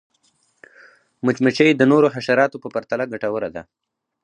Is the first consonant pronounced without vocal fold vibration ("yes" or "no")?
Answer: no